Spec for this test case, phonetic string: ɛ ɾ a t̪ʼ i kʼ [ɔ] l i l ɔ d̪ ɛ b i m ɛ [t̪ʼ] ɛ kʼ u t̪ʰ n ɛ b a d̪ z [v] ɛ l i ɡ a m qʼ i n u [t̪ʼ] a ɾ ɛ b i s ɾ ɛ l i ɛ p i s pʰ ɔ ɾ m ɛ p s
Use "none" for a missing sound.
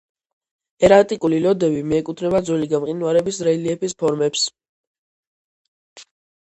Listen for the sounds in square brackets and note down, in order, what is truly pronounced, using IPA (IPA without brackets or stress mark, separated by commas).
u, none, w, none